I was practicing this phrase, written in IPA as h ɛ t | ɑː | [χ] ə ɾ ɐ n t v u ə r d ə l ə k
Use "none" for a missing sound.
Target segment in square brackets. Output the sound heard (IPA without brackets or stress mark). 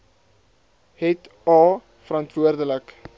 f